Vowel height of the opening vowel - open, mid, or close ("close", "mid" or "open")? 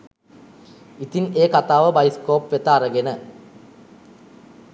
close